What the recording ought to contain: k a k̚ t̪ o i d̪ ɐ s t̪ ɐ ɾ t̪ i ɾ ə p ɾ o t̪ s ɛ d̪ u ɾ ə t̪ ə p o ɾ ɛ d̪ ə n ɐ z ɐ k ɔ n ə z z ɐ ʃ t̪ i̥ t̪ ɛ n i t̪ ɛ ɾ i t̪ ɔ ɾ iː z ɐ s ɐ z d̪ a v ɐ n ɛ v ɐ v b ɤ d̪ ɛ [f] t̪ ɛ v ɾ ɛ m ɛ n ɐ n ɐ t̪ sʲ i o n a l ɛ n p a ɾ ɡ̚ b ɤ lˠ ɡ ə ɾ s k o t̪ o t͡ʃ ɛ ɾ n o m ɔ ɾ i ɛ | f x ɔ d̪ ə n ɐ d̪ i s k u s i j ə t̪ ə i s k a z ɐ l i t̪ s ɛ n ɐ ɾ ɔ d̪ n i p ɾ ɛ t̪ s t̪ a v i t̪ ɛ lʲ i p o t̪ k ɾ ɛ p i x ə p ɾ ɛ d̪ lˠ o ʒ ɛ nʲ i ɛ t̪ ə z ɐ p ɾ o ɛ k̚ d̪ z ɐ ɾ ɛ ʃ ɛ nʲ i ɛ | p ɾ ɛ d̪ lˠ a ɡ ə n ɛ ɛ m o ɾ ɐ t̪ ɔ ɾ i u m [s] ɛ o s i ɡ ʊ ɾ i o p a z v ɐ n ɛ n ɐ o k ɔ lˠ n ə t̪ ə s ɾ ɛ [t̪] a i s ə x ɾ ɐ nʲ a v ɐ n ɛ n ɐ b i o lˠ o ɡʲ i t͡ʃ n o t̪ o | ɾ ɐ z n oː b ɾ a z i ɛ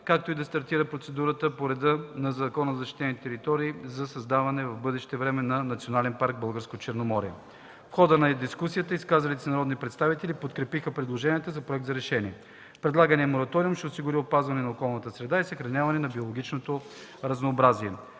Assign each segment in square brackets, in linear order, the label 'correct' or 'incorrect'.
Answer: incorrect, incorrect, incorrect

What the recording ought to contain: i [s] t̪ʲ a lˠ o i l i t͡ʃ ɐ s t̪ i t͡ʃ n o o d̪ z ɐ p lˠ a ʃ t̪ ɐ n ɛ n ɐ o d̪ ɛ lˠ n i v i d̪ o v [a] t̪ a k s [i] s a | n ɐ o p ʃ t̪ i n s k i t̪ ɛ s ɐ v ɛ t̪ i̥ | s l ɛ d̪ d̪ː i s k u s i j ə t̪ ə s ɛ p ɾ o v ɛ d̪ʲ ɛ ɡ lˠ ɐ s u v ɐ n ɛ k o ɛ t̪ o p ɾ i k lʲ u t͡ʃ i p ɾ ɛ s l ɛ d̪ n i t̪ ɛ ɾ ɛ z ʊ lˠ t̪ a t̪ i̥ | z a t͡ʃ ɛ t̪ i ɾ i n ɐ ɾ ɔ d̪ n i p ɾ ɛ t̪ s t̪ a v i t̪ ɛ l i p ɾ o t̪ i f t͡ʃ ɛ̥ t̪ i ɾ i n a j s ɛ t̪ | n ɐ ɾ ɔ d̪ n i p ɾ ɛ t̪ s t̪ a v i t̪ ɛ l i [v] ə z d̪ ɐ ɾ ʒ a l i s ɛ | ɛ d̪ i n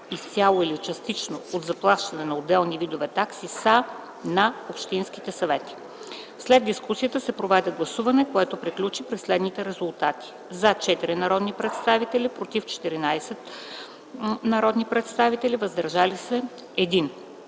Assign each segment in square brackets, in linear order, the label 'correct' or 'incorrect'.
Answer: correct, incorrect, correct, correct

